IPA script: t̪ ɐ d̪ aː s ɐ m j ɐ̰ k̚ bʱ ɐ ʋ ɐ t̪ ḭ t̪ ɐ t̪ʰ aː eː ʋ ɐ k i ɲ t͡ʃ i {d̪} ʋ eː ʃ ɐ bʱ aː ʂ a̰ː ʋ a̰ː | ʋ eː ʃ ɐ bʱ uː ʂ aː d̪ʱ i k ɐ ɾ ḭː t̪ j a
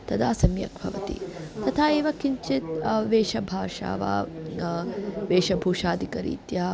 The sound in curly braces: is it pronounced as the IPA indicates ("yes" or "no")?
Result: no